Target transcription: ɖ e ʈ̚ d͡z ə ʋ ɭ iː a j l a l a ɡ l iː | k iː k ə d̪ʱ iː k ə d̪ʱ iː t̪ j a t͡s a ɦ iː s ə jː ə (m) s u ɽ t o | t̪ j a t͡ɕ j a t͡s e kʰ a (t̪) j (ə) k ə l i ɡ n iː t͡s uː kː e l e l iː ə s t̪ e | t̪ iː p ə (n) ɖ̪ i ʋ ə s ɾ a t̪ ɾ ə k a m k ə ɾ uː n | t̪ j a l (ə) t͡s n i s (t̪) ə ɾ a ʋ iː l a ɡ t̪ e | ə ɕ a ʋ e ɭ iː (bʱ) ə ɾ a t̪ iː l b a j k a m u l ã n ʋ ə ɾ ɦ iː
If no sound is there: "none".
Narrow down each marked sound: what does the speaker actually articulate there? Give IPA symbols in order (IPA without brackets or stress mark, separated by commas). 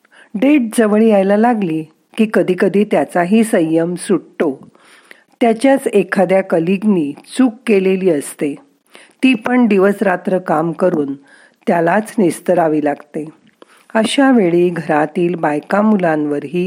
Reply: m, d̪, a, ɳ, a, t̪, ɡʱ